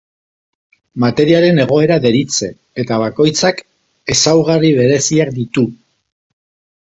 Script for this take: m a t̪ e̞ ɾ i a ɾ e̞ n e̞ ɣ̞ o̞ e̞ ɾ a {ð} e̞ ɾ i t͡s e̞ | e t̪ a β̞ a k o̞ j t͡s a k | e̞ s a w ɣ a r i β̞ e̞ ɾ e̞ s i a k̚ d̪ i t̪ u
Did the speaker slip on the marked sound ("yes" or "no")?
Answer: no